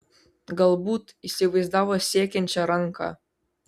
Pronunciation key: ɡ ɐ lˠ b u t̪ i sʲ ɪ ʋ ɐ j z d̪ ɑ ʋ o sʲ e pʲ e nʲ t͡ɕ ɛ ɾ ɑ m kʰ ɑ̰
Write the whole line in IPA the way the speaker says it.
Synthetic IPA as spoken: ɡ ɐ lˠ b u t̪ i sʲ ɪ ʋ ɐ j z d̪ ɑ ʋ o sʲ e kʲ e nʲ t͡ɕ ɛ ɾ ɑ ŋ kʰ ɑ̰